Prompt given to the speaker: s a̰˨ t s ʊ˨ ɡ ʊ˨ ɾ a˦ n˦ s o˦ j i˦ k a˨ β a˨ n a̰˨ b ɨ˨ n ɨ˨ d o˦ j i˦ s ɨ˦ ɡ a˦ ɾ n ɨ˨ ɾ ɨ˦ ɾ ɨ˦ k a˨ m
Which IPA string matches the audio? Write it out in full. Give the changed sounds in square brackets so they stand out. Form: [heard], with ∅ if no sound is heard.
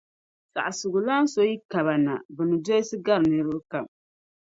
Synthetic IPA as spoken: s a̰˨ [ʔ] s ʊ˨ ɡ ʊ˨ [l] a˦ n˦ s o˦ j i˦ k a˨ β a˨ n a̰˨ b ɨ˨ n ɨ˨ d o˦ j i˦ s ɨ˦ ɡ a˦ ɾ n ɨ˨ ɾ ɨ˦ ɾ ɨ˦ k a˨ m

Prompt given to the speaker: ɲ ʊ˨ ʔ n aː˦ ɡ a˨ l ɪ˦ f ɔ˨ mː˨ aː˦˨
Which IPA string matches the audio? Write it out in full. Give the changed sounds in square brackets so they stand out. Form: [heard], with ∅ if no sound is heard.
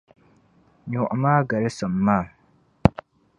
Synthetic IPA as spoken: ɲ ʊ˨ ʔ [m] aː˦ ɡ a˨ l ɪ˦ [s] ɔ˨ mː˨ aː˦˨

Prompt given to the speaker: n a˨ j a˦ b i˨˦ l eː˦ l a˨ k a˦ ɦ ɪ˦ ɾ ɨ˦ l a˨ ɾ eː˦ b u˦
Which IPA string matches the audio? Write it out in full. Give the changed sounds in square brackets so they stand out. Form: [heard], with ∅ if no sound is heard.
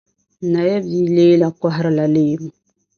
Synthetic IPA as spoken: n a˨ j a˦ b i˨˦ l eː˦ l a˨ k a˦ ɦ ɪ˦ ɾ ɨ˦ l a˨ [l] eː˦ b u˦

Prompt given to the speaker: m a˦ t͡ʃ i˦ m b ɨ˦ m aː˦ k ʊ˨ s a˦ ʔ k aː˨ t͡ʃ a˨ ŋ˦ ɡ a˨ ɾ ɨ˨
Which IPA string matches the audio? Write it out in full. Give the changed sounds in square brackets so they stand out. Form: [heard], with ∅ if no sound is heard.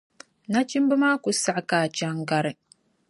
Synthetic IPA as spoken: [n] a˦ t͡ʃ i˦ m b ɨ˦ m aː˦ k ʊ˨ s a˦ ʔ k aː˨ t͡ʃ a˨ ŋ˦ ɡ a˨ ɾ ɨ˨

